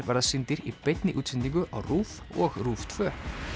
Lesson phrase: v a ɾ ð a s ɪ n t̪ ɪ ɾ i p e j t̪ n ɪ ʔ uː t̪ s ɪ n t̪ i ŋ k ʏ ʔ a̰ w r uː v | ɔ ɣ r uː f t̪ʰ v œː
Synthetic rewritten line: v a ɾ ð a s ɪ n t̪ ɪ ɾ i p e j t̪ n ɪ ʔ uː t̪ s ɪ n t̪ i ŋ k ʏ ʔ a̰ w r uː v | ɔ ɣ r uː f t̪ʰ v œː